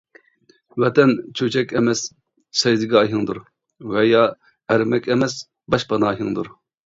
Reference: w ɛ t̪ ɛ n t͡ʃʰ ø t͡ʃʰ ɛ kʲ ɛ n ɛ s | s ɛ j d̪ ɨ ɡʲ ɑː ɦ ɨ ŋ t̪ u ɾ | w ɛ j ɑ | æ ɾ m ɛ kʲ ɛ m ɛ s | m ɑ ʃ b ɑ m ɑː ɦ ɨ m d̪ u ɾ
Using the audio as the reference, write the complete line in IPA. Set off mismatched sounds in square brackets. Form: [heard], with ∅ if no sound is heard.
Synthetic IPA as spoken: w ɛ t̪ ɛ n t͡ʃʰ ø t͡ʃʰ ɛ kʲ ɛ [m] ɛ s | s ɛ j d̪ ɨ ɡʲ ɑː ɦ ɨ ŋ [d̪] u ɾ | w ɛ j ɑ | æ ɾ m ɛ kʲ ɛ m ɛ s | [b] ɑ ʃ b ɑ [n] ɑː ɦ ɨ [ŋ] d̪ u ɾ